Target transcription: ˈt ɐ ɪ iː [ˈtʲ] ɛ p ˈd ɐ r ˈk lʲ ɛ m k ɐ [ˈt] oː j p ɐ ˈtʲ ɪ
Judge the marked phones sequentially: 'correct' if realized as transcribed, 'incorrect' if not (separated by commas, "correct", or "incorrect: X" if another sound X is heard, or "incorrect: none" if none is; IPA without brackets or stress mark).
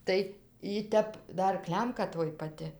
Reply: correct, correct